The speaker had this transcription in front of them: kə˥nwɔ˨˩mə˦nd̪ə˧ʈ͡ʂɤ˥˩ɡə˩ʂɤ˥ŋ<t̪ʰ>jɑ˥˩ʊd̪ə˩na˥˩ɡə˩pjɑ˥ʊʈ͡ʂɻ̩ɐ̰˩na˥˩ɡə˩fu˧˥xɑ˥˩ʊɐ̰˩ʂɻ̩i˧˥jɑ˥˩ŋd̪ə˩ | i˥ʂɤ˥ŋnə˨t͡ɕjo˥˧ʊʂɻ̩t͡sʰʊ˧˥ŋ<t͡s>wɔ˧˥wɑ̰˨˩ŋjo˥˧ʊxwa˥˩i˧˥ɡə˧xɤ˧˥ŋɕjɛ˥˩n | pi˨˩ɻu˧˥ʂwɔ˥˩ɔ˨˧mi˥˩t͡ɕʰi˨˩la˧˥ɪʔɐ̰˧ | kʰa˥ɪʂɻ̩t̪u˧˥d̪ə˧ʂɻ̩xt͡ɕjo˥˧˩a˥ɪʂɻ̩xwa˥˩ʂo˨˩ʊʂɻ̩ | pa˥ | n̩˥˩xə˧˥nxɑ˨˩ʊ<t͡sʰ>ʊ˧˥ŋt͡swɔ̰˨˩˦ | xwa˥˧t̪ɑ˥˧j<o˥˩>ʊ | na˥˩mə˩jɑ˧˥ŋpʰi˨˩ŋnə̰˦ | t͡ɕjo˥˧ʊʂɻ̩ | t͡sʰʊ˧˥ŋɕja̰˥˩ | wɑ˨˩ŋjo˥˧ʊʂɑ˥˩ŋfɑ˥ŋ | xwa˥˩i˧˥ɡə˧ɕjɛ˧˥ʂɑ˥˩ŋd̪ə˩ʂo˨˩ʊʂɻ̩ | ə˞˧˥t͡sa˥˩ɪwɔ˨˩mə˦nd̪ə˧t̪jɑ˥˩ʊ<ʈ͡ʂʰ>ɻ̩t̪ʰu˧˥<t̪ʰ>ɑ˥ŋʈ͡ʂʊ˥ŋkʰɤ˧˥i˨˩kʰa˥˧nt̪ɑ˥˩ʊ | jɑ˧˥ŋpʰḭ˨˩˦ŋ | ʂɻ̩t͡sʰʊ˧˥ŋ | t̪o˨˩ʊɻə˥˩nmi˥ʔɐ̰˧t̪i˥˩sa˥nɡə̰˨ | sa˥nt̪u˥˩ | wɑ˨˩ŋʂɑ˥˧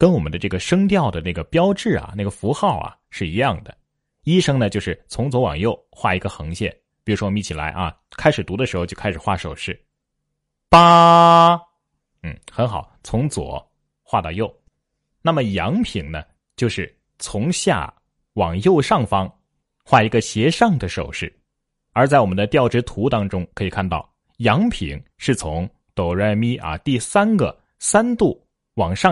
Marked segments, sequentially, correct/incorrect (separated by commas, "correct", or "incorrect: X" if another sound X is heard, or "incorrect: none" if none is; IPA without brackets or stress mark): incorrect: t̪, correct, correct, correct, incorrect: ʈ͡ʂ, incorrect: t̪